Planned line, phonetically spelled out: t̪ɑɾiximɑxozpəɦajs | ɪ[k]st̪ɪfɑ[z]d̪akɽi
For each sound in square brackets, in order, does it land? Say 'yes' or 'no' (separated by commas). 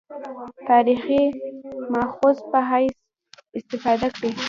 no, no